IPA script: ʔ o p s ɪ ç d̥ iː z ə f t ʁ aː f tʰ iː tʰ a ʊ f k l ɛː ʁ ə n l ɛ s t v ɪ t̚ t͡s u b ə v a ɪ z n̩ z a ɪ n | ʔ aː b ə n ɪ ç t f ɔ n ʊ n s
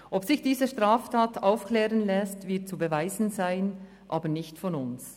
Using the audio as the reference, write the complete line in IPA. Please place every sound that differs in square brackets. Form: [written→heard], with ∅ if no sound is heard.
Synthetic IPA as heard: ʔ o p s ɪ ç d̥ iː z ə [f→ʃ] t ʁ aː f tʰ [iː→aː] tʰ a ʊ f k l ɛː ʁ ə n l ɛ s t v ɪ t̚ t͡s u b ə v a ɪ z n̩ z a ɪ n | ʔ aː b ə n ɪ ç t f ɔ n ʊ n s

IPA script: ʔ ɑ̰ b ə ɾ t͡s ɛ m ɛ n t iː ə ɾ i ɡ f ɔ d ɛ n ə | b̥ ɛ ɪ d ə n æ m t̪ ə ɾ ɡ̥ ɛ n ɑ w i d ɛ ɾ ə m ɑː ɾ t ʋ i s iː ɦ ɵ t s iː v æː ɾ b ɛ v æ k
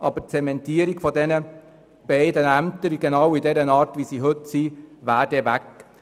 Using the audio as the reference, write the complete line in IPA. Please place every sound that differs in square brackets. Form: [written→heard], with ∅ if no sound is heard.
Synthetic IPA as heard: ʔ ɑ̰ b ə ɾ t͡s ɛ m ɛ n t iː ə ɾ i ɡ f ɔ d ɛ n ə | b̥ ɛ ɪ d ə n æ m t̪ ə ɾ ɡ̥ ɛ n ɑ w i d ɛ ɾ ə [m→n] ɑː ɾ t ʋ i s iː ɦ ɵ t s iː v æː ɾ [b→d] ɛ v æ k

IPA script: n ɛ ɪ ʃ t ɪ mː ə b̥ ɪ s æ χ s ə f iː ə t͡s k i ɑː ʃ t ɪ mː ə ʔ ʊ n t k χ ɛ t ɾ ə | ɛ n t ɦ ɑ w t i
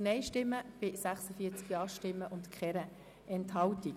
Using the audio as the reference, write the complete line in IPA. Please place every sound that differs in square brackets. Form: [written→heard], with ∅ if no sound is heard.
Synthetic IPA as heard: n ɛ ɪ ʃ t ɪ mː ə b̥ ɪ s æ χ s ə f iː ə t͡s k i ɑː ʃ t ɪ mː ə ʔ ʊ n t k χ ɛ [t→∅] ɾ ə | ɛ n t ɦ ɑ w t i

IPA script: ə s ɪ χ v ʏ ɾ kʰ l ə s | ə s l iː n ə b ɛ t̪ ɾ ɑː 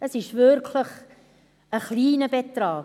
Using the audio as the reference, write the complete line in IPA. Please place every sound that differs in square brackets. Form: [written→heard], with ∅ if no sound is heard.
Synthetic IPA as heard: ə s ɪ [χ→ʃ] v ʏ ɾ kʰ l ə [s→χ] | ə [s→χ] l iː n ə b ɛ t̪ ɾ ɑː

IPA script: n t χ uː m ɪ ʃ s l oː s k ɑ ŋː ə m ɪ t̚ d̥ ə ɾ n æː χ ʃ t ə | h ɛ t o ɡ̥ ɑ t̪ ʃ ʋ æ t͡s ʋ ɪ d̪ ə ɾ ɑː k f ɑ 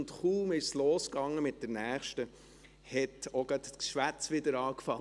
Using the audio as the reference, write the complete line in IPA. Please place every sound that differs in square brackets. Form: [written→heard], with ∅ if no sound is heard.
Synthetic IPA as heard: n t χ uː m ɪ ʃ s l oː s k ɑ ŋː ə m ɪ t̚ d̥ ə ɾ n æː χ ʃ t ə | h ɛ t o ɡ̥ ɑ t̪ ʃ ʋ æ t͡s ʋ ɪ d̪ ə ɾ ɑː k f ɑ

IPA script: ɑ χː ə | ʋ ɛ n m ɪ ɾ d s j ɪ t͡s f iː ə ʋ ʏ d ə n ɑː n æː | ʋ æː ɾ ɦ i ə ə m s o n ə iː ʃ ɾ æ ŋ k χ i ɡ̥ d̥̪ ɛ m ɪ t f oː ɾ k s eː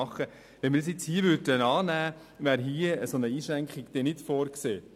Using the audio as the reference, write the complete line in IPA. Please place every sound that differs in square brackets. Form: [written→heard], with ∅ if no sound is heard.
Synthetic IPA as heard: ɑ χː ə | ʋ ɛ n m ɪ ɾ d s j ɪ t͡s [f→h] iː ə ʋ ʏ d ə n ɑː n æː | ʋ æː ɾ ɦ i ə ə [m→∅] s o n ə iː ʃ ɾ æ ŋ k χ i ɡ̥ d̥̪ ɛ [m→n] ɪ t f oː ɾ k s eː

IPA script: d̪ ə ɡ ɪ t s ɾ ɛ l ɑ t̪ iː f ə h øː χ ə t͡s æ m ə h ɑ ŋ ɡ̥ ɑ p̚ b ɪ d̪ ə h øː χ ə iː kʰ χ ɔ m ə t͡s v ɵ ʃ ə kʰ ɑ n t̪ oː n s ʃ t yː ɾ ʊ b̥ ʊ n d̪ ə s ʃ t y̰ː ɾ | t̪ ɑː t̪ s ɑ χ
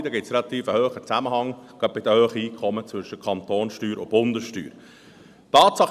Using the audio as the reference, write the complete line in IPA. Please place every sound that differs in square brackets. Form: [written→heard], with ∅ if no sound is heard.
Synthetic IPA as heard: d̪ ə ɡ ɪ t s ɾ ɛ l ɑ t̪ iː f ə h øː χ ə t͡s æ m ə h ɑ ŋ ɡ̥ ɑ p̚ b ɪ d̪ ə h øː χ ə iː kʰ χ ɔ m ə t͡s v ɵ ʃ ə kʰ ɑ n t̪ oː n s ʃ t yː ɾ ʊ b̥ ʊ n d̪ ə s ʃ t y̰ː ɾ | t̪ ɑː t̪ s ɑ χ

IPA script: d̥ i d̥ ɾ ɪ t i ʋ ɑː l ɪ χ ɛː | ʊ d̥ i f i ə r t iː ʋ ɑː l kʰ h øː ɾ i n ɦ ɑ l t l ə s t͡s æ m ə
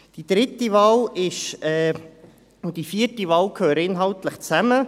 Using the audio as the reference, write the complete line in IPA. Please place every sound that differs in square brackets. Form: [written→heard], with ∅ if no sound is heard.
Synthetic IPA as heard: d̥ i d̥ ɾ ɪ t i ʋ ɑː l ɪ [χ→ʃ] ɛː | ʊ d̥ i f i ə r t [iː→i] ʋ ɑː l kʰ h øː ɾ [i→ɪ] n ɦ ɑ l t l ə [s→χ] t͡s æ m ə

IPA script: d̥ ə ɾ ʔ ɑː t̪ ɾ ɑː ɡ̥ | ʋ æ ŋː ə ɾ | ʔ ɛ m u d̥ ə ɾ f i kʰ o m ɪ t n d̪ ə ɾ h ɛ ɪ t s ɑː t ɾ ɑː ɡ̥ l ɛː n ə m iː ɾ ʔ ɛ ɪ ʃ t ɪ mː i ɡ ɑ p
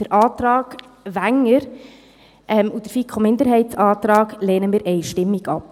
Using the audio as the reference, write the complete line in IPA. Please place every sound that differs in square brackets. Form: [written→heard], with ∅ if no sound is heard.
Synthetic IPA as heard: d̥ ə ɾ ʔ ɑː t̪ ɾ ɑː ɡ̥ | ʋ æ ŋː ə ɾ | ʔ ɛ m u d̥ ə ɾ f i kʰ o m ɪ [t→∅] n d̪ ə ɾ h ɛ ɪ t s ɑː t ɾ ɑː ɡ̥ l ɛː n ə m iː ɾ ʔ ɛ ɪ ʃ t ɪ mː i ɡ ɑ p

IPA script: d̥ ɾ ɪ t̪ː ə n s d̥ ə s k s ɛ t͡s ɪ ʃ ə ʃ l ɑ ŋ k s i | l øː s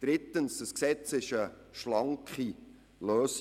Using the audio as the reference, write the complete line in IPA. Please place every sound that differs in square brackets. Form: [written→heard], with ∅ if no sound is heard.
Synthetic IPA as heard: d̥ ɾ ɪ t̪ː ə n s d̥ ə s k s ɛ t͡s ɪ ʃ ə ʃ l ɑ ŋ k [s→χ] i | l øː s

